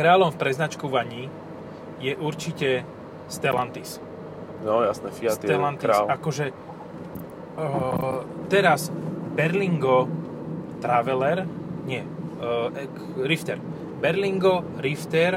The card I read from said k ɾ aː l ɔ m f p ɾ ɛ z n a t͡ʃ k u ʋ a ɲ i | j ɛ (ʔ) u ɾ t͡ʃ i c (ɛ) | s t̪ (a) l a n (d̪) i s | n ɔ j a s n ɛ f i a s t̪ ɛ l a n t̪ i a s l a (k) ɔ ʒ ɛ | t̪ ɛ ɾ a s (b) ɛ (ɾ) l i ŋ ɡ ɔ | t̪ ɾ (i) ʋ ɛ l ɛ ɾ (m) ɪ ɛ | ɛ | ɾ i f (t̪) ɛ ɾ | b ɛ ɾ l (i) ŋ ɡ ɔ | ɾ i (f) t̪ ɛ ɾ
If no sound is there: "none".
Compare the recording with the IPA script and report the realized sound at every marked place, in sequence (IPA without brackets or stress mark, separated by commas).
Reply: ʔ, ɛ, ɛ, t̪, k, b, ɾ, a, ɲ, t̪, i, f